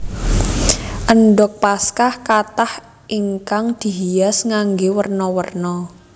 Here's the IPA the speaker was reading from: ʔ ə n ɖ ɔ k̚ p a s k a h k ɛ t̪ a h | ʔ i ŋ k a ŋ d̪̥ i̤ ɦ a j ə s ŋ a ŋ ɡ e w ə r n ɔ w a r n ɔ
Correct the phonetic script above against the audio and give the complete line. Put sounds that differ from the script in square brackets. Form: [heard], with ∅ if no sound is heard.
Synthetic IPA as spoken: ʔ ə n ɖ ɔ k̚ p a s k a h k [a] t̪ a h | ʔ i ŋ k a ŋ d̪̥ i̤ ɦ [i] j [a] s ŋ a ŋ ɡ e w ə r n ɔ w [ə] r n ɔ